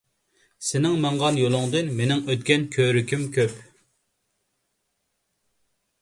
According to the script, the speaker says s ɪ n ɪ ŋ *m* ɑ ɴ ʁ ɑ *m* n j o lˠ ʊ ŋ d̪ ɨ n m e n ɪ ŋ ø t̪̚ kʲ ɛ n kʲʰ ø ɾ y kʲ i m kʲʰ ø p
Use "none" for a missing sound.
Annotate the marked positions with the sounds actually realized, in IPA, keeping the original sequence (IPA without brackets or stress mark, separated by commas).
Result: m, none